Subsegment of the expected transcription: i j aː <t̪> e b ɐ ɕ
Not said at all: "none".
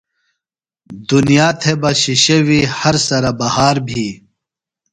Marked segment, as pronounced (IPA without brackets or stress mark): t̪ʰ